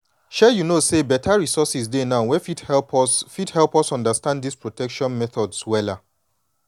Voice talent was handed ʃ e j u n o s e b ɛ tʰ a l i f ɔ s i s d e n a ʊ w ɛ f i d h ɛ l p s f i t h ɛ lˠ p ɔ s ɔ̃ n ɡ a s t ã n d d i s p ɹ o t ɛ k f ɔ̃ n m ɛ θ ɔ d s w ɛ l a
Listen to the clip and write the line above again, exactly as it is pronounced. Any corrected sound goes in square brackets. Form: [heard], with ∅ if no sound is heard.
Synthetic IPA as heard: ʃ [ɛ] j u n o s e b ɛ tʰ a [ɹ] i [s] ɔ s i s d e n a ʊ w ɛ f i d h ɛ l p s f i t h ɛ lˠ p ɔ s ɔ̃ n [d] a s t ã n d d i s p ɹ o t ɛ k [ʃ] ɔ̃ n m ɛ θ ɔ d s w ɛ l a

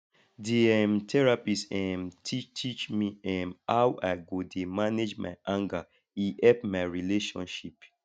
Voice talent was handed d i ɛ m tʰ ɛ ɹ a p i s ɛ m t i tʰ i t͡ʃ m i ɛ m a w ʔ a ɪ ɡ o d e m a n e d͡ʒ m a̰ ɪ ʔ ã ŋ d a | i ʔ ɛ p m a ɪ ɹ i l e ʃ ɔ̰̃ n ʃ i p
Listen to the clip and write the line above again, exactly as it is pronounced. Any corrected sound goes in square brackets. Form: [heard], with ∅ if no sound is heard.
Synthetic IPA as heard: d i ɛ m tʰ ɛ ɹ a p i s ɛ m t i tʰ i t͡ʃ m i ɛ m a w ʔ a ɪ ɡ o d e m a n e d͡ʒ m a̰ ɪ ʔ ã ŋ [ɡ] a | i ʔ ɛ p m a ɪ ɹ i l e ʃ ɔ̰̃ n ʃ i p

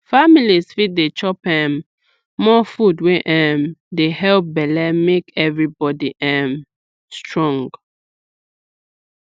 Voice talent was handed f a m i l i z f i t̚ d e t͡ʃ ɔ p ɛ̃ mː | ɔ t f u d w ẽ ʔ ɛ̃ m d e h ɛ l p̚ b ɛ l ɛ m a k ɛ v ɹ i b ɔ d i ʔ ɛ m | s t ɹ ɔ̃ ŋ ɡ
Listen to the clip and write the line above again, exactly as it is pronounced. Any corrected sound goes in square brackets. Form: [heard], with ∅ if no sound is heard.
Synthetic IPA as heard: f a m i l i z f i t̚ d e t͡ʃ ɔ p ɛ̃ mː | ɔ [∅] f u d w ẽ ʔ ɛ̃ m d e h ɛ l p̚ b ɛ l ɛ m [e] k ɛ v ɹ i b ɔ d i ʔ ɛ m | s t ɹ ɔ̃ ŋ ɡ

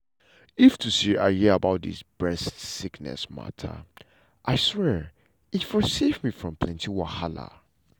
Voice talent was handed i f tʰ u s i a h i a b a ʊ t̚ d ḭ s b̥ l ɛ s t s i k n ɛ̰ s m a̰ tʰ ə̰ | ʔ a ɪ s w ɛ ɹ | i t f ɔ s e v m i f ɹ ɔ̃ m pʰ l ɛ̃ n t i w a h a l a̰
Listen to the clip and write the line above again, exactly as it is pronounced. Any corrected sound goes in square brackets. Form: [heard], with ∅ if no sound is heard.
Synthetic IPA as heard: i f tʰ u s i a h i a b a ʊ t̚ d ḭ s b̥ [ɹ] ɛ s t s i k n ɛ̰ s m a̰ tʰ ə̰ | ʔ a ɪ s w ɛ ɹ | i t f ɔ s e v m i f ɹ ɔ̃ m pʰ l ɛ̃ n t i w a h a l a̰

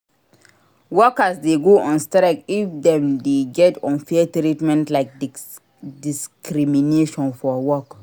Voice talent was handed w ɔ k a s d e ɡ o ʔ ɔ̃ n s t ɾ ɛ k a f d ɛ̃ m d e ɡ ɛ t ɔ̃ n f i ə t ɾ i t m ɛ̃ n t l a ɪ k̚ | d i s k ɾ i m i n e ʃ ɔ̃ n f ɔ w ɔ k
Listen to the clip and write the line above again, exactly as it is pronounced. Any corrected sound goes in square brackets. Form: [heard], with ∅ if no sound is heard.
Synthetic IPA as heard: w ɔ k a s d e ɡ o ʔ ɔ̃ n s t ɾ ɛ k [i] f d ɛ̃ m d e ɡ ɛ t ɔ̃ n f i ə t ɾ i t m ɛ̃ n t l a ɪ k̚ | d i s k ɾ i m i n e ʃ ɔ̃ n f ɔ w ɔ k

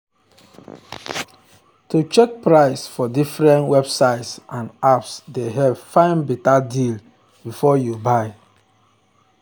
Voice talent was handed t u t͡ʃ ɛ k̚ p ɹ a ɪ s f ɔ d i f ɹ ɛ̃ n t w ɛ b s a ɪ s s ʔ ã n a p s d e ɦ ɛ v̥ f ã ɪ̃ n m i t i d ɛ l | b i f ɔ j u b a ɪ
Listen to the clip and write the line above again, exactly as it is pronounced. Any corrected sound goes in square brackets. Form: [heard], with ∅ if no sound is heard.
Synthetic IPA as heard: t u t͡ʃ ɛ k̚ p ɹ a ɪ s f ɔ d i f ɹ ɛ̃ n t w ɛ b s a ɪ [t] s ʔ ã n a p s d e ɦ ɛ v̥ f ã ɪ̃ n [b] i t [a] d [i] l | b i f ɔ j u b a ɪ

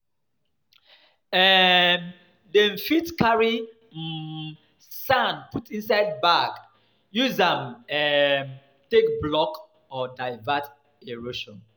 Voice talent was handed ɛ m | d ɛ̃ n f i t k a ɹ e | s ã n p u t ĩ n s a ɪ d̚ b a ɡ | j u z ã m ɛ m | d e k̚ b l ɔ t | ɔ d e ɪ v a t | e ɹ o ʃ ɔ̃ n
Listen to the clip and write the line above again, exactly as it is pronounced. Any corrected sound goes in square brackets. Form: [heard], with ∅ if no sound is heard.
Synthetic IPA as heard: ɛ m | d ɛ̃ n f i t k a ɹ [i] | s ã n p u t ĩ n s a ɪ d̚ b a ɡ | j u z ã m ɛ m | [t] e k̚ b l ɔ [k] | ɔ d [a] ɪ v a t | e ɹ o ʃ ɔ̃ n

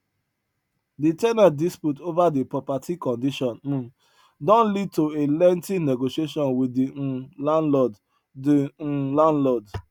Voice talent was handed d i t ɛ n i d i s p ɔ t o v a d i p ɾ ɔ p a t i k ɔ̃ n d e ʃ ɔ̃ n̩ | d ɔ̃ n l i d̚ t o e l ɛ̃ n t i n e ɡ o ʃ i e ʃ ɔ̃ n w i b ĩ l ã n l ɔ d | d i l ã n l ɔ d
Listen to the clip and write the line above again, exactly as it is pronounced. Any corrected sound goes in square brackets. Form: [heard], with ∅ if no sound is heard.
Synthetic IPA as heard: d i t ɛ n [a] d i s p [u] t o v a d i p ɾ ɔ p a t i k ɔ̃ n d [i] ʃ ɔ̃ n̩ | d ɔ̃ n l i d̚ t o e l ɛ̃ n t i n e ɡ o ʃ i e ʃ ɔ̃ n w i [d] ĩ l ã n l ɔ d | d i l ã n l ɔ d

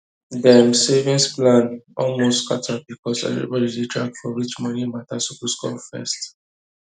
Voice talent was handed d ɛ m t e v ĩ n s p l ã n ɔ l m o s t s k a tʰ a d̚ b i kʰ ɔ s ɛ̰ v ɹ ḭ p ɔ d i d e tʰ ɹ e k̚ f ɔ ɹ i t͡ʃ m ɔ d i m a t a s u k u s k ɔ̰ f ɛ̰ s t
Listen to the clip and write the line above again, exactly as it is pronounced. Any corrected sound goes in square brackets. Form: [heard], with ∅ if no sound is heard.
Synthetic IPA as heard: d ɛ m [s] e v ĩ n s p l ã n ɔ l m o s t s k a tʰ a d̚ b i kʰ ɔ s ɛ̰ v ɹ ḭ [b] ɔ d i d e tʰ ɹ [a] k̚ f ɔ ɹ i t͡ʃ m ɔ [n] i m a t a s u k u s k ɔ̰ f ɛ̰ s t

